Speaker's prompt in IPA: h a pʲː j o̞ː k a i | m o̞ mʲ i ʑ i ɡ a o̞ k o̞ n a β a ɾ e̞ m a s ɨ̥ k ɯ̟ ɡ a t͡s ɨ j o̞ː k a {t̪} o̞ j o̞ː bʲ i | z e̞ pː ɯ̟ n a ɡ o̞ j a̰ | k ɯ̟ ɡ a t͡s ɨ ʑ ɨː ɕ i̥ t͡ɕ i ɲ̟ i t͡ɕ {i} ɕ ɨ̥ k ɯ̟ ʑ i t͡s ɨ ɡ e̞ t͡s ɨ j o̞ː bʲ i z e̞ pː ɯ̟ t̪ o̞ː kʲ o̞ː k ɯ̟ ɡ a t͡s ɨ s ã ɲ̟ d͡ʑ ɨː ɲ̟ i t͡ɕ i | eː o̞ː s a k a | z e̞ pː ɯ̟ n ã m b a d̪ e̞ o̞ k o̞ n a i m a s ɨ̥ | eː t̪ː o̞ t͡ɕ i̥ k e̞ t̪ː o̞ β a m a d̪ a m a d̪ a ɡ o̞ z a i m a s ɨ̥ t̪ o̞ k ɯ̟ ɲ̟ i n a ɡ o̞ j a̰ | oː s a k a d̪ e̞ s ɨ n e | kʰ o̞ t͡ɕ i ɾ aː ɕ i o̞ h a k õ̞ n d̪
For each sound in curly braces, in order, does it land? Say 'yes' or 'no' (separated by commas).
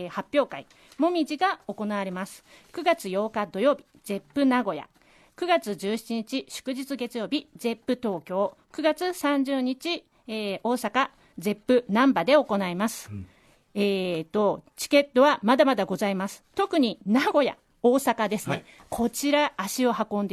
no, yes